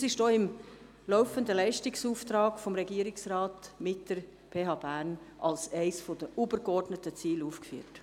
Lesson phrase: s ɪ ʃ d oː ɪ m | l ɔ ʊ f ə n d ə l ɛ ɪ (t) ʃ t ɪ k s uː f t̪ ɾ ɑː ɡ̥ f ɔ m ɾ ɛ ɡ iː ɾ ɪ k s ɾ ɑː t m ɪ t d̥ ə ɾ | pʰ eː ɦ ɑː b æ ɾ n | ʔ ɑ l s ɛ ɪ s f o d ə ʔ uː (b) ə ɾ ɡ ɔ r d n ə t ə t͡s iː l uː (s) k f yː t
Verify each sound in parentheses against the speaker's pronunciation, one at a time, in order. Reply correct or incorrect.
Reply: incorrect: none, correct, incorrect: f

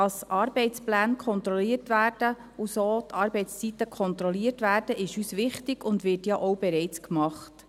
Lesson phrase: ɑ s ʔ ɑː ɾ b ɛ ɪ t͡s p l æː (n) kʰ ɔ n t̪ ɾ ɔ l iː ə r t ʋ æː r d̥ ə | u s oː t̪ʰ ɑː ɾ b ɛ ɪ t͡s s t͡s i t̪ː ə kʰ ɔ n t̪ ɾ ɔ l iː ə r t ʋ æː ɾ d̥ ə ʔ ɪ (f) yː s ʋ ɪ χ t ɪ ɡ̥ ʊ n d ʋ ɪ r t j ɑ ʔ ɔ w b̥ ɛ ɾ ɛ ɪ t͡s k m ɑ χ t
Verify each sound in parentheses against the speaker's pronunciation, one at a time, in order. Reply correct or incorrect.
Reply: correct, incorrect: ʃ

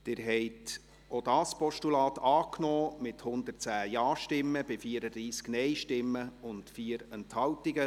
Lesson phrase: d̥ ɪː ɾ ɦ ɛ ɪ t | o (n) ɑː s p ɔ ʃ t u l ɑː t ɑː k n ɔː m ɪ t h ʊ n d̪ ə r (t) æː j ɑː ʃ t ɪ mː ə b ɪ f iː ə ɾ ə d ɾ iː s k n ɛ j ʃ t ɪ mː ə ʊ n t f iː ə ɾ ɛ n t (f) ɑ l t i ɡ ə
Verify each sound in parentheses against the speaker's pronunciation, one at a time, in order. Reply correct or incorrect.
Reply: incorrect: d, incorrect: t͡s, incorrect: h

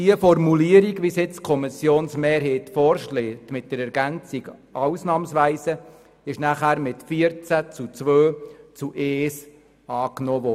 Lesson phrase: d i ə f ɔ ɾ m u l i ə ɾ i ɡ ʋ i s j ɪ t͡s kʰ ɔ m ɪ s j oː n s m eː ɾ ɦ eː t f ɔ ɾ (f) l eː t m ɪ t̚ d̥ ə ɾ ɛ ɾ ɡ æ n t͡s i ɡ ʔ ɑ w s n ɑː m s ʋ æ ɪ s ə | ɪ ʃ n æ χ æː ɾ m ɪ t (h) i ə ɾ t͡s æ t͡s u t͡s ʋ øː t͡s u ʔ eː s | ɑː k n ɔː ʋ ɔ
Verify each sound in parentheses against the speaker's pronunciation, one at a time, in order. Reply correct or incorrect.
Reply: incorrect: ʃ, incorrect: f

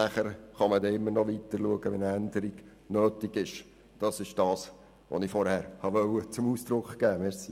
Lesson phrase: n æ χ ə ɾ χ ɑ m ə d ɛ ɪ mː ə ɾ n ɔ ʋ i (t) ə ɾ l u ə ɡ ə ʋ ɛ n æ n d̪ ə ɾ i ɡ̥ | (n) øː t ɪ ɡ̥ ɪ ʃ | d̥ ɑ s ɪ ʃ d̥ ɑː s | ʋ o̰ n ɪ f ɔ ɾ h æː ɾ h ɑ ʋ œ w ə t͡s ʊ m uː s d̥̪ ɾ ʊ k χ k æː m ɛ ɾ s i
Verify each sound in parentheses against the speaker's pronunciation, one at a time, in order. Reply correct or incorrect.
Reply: correct, correct

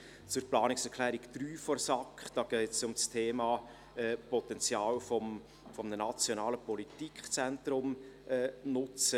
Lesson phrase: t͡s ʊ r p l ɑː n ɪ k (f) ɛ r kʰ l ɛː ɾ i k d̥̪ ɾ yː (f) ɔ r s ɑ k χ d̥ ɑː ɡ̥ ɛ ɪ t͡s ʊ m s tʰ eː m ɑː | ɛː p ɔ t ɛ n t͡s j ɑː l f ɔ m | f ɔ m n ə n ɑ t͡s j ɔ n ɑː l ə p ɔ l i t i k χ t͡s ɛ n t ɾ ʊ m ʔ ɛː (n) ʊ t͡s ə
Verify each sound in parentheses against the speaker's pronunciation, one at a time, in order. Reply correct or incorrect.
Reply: incorrect: s, correct, correct

